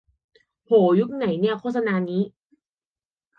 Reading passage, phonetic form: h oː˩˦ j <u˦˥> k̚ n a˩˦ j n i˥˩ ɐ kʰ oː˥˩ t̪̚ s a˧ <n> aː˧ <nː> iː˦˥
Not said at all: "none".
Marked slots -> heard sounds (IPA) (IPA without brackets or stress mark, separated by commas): u˦˥, n, n